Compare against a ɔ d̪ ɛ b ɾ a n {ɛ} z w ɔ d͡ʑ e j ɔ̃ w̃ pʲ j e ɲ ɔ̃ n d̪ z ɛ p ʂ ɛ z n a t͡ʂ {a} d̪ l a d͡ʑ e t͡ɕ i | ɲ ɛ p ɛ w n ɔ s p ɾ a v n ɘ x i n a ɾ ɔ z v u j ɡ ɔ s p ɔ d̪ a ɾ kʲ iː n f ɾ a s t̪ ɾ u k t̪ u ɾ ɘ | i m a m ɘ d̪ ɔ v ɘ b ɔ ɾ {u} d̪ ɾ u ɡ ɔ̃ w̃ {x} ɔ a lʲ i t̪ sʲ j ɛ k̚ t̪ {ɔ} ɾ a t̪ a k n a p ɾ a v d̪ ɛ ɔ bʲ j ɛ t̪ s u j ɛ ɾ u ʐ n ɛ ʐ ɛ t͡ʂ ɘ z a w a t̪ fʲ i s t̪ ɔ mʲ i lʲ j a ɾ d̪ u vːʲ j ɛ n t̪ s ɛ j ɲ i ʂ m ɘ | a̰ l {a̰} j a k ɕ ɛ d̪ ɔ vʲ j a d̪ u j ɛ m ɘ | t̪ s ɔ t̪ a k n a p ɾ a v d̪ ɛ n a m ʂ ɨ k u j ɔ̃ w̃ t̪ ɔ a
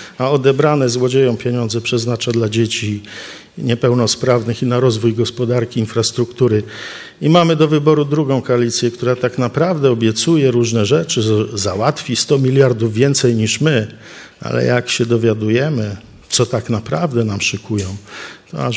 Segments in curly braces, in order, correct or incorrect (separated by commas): correct, correct, correct, incorrect, incorrect, incorrect